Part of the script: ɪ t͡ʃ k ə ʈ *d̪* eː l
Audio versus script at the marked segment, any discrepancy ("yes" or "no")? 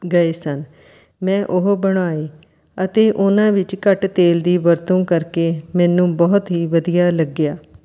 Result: yes